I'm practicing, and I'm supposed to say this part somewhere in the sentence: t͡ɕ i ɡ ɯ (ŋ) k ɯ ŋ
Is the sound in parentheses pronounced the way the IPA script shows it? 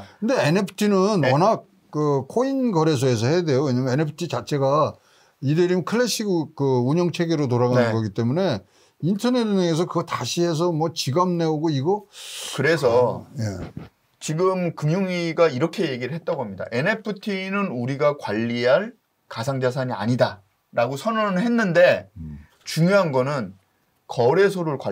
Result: no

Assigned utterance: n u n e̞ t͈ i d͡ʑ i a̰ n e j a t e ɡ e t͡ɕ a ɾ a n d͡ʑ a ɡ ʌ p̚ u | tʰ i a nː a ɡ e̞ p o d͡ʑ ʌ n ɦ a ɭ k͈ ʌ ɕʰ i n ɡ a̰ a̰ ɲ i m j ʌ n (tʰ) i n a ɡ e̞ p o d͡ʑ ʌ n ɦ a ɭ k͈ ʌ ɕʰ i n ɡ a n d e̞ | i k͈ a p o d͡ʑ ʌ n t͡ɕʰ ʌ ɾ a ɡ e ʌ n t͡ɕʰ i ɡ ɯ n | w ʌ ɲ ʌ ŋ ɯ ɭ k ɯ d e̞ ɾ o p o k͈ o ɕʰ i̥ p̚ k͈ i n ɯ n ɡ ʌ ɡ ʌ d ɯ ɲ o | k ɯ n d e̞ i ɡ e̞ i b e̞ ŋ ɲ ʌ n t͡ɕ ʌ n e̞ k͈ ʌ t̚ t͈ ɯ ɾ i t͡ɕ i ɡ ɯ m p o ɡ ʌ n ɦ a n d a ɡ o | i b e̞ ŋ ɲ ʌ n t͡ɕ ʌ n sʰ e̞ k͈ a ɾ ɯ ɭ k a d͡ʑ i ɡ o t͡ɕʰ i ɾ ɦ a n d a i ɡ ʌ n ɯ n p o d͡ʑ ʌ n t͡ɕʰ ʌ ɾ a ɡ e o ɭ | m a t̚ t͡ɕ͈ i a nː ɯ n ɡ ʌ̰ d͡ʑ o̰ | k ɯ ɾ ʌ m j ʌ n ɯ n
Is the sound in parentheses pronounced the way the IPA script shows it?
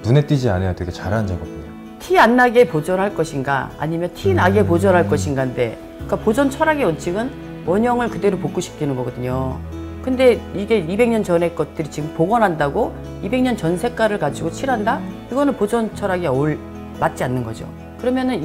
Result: yes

